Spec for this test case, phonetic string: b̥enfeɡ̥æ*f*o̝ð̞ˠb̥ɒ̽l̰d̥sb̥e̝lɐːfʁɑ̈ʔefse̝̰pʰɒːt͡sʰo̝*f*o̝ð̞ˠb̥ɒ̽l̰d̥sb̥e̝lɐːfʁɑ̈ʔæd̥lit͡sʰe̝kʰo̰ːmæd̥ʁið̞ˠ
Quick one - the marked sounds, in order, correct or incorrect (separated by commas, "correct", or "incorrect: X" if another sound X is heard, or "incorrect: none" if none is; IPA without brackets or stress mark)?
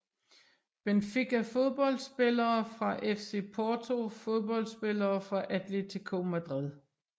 correct, correct